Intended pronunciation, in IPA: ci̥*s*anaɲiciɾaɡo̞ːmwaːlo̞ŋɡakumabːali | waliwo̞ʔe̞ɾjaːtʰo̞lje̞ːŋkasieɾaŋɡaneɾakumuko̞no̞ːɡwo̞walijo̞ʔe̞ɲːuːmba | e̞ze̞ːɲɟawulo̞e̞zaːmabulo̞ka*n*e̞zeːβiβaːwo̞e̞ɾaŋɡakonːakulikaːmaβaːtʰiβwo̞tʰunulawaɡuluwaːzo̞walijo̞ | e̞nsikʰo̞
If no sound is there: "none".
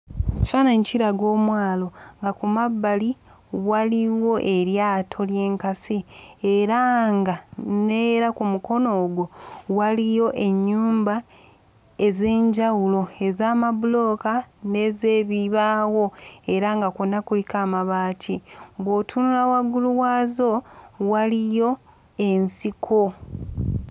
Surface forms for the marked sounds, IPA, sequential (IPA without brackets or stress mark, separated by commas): f, n